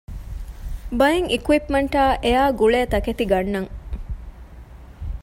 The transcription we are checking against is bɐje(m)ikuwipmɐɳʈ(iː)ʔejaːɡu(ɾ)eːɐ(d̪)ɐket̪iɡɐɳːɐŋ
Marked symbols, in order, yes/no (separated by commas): no, no, no, no